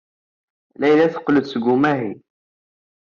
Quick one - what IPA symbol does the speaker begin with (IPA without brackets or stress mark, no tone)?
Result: l